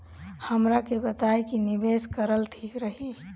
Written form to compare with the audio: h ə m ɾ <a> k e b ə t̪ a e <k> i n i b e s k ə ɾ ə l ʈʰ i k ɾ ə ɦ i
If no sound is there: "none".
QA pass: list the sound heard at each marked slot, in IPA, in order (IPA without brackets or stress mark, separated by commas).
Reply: a, k